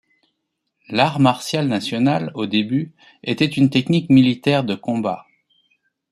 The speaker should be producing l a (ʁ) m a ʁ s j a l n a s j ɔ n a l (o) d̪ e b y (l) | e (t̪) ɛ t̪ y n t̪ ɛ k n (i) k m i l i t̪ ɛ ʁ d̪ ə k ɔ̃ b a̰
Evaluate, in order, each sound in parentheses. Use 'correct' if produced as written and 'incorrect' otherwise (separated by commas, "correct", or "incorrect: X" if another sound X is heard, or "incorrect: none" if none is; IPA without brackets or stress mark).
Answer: correct, correct, incorrect: none, correct, correct